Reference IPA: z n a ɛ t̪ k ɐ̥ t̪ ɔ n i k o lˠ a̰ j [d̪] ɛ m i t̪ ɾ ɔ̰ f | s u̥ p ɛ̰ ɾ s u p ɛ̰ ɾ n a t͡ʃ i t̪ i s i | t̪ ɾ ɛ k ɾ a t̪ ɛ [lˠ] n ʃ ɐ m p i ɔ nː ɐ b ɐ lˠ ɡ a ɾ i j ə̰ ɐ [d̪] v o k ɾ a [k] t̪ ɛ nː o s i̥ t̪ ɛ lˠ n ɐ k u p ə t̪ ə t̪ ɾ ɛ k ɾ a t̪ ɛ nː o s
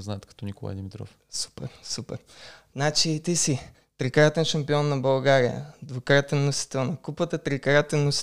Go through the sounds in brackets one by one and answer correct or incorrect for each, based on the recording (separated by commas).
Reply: correct, incorrect, correct, incorrect